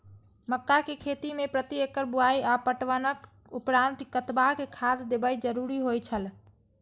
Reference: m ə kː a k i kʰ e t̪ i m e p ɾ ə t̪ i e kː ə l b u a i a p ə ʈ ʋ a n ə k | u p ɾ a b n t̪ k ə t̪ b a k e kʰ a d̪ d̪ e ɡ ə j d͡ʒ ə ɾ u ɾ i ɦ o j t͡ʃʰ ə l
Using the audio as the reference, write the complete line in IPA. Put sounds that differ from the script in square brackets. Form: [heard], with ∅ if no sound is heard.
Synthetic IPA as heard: m ə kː a k [e] kʰ e t̪ i m e p ɾ ə t̪ i e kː ə [ɾ] b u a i a p ə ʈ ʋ [ə] n ə k | u p ɾ a [∅] n t̪ k ə t̪ b a k e kʰ a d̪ d̪ e [b] ə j d͡ʒ ə ɾ u ɾ i ɦ o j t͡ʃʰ ə l